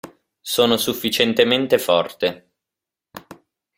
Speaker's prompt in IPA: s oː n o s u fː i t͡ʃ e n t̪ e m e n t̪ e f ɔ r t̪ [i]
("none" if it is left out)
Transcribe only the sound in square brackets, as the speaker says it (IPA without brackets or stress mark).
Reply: e